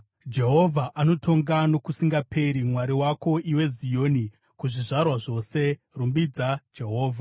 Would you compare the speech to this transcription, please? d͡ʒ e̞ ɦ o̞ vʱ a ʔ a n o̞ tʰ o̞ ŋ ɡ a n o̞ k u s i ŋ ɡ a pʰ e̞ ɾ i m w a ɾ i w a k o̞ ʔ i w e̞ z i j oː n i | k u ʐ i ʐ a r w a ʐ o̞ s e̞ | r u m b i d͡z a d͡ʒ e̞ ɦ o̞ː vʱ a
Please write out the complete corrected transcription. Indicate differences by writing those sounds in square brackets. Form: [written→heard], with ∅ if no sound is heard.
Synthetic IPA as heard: d͡ʒ e̞ ɦ o̞ vʱ a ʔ a n o̞ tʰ o̞ ŋ ɡ a n o̞ k u s i ŋ ɡ a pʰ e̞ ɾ i m w a ɾ i w a k o̞ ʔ i w e̞ z i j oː n i | k u ʐ i ʐ a r w a ʐ o̞ s e̞ | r u m b i d͡z a d͡ʒ e̞ ɦ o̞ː vʱ a